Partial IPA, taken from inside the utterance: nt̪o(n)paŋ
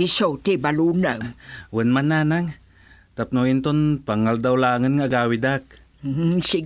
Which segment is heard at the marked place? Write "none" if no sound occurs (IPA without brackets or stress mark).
n